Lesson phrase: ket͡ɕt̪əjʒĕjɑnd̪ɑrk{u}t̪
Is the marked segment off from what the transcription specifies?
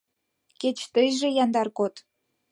yes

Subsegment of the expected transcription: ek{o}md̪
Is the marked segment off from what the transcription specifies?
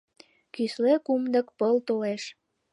yes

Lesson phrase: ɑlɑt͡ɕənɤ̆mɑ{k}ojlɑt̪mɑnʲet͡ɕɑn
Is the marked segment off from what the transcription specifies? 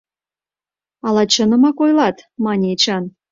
no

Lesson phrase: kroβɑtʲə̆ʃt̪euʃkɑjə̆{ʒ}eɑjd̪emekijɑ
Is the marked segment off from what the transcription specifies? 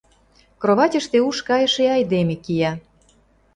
yes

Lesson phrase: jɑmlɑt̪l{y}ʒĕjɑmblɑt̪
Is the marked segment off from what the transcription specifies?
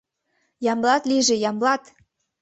yes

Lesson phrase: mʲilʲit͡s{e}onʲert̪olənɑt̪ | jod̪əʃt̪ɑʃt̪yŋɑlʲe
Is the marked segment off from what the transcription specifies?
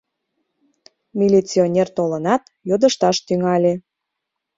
yes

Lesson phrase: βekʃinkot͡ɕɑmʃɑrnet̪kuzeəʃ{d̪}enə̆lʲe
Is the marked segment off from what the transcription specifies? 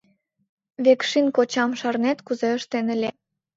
yes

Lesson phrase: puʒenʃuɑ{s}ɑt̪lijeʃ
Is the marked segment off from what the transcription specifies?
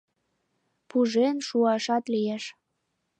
yes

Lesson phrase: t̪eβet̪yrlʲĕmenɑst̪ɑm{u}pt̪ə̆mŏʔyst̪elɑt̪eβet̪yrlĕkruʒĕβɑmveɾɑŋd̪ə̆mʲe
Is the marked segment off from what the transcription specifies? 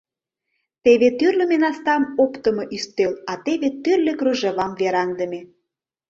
yes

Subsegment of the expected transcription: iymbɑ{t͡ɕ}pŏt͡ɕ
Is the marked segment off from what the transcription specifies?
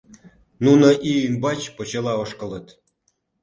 no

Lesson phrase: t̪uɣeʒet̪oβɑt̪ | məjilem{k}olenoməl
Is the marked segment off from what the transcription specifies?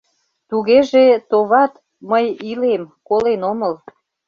no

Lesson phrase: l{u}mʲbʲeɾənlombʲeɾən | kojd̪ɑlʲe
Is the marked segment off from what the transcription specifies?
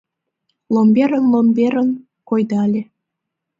yes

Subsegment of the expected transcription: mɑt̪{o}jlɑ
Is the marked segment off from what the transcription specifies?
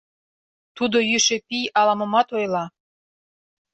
no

